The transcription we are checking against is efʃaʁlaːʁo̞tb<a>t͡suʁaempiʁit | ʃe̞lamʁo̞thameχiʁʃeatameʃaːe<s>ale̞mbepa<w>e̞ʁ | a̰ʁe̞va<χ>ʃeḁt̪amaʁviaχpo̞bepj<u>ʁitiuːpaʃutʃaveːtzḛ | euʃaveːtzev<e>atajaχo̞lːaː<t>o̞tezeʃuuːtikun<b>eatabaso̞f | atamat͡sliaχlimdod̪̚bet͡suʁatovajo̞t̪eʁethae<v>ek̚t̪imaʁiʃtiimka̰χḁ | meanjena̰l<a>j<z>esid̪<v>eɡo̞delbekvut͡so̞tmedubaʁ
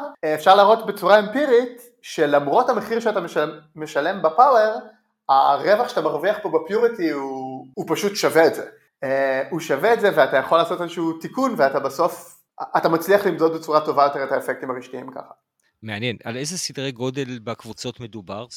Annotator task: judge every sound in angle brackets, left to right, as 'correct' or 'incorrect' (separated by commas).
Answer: incorrect, incorrect, correct, correct, correct, correct, incorrect, incorrect, incorrect, incorrect, correct, incorrect